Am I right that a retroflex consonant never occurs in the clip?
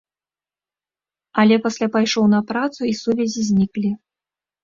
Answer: no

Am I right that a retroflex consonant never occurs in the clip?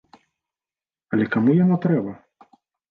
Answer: yes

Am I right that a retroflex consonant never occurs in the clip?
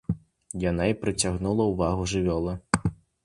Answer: no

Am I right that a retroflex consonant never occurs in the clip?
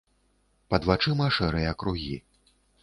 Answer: no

